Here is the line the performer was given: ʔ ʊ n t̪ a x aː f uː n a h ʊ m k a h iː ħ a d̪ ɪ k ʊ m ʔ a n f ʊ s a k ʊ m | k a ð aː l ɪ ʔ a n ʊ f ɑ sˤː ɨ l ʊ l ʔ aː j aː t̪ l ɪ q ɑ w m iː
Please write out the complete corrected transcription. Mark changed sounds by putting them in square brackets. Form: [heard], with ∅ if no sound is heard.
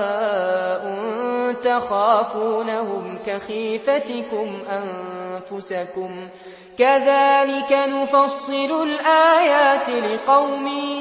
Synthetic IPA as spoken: ʔ ʊ n t̪ a x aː f uː n a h ʊ m k a [x] iː [f] a [t̪] ɪ k ʊ m ʔ a n f ʊ s a k ʊ m | k a ð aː l ɪ [k] a n ʊ f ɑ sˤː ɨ l ʊ l ʔ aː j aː t̪ l ɪ q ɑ w m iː